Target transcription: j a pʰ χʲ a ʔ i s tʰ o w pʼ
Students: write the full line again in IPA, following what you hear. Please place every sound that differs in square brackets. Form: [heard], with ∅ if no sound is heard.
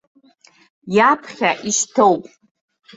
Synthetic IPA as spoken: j a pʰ χʲ a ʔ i [ʃ] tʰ o w pʼ